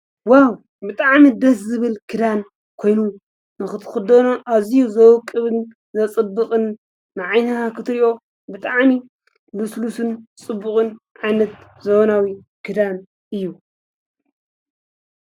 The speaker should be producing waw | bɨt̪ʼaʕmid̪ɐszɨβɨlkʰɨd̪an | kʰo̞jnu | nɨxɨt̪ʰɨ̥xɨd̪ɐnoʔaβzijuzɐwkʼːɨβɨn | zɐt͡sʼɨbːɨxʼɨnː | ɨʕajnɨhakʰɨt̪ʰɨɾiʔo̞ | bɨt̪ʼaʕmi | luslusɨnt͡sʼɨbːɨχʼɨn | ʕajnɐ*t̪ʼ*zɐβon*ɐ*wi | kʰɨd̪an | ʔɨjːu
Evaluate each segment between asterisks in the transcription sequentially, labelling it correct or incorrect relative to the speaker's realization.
incorrect: t̪, incorrect: a

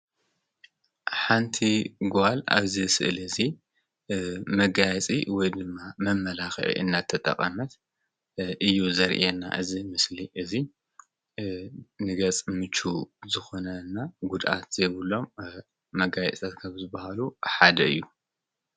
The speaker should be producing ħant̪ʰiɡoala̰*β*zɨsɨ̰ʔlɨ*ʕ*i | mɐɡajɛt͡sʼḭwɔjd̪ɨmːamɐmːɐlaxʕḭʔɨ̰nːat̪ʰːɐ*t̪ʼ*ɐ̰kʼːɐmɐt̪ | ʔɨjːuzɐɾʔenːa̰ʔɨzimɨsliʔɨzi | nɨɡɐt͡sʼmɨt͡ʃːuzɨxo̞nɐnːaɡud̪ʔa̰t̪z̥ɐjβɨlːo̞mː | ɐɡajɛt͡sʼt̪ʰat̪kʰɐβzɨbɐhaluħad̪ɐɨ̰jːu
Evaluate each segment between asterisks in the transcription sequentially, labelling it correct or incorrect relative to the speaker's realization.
correct, incorrect: z, correct

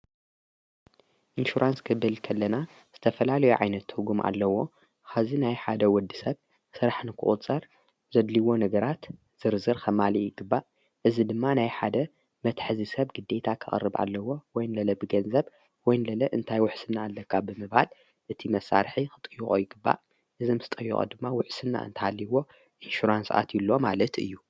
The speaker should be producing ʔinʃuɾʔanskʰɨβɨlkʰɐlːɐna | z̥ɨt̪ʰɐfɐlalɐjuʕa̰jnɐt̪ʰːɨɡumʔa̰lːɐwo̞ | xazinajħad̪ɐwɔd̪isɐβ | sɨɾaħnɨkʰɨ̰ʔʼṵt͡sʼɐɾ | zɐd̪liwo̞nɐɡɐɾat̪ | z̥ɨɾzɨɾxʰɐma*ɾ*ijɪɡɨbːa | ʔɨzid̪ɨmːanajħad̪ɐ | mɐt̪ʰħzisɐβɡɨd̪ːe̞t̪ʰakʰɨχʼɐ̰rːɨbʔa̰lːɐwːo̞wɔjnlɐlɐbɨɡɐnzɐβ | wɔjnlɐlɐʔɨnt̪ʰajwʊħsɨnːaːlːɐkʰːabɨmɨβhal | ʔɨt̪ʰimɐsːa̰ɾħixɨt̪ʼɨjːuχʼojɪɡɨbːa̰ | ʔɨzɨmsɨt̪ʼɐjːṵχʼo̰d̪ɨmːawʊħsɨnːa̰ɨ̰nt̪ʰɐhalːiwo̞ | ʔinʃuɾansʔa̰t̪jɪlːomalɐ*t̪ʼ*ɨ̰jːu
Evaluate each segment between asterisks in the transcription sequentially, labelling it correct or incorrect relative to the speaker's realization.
incorrect: l, incorrect: t̪

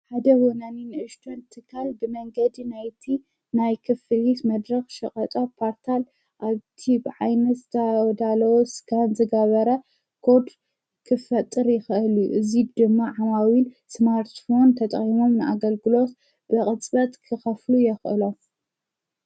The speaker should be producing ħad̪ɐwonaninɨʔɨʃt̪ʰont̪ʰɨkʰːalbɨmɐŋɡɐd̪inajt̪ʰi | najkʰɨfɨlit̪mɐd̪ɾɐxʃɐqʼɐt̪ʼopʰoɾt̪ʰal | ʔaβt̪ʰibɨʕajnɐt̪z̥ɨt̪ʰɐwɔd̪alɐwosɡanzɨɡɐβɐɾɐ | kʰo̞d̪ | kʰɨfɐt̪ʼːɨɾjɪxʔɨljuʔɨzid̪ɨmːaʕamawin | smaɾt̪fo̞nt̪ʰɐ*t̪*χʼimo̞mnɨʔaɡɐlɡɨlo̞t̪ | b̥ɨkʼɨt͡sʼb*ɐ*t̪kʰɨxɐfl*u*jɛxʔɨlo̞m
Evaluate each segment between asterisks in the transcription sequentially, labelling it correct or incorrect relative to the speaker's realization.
incorrect: t̪ʼ, correct, correct

